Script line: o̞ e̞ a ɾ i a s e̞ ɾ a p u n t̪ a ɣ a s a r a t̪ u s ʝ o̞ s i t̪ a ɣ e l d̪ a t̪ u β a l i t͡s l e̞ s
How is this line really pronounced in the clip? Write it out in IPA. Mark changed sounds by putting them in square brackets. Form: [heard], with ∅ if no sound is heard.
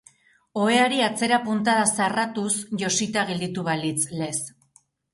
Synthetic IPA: o̞ e̞ a ɾ i a [t͡s] e̞ ɾ a p u n t̪ a [ð] a s a r a t̪ u s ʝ o̞ s i t̪ a ɣ e l d̪ [i] t̪ u β a l i t͡s l e̞ s